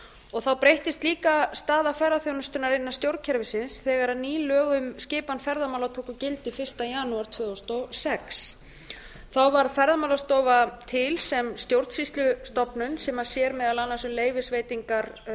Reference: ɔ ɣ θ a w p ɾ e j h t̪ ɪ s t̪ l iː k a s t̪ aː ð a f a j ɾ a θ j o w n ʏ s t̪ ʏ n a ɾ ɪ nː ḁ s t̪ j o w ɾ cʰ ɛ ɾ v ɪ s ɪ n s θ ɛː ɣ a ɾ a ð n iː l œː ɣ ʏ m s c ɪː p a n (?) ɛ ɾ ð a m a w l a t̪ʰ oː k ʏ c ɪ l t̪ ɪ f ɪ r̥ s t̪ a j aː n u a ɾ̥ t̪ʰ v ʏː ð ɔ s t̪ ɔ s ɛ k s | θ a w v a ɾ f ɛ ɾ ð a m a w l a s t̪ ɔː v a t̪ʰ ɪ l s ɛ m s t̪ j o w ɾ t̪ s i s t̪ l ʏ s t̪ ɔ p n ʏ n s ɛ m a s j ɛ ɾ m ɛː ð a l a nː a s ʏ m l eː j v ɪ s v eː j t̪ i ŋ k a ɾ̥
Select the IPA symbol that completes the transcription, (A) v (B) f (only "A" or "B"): B